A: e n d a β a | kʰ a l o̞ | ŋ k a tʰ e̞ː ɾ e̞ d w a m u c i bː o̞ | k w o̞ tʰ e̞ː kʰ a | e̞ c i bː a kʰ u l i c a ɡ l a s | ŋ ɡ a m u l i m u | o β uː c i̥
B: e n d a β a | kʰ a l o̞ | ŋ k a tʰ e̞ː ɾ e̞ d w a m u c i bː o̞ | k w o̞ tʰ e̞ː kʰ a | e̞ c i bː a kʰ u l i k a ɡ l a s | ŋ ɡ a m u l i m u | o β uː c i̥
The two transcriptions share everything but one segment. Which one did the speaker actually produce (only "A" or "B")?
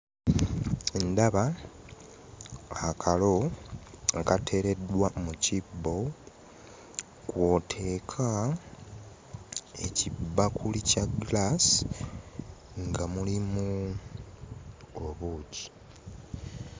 A